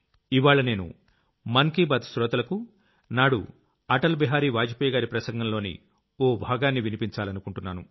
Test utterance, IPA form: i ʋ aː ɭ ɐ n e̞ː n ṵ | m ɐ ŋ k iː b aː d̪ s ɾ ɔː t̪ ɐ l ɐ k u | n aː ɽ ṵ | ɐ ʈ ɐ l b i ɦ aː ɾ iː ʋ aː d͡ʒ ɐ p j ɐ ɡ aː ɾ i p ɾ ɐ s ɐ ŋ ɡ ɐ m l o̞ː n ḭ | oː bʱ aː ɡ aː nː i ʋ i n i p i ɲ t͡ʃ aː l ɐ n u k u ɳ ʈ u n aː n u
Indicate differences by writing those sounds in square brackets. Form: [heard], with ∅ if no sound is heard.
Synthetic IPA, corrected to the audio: i ʋ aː ɭ ɐ n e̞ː n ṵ | m ɐ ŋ k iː b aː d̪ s ɾ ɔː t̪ ɐ l ɐ k u | n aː ɽ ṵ | ɐ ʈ ɐ l b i ɦ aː ɾ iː ʋ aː d͡ʒ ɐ p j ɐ ɡ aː ɾ i p ɾ ɐ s ɐ ŋ ɡ ɐ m l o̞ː n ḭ | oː bʱ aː ɡ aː nː i ʋ i n i p i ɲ t͡ʃ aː l ɐ n u k u ɳ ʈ u [nː] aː n u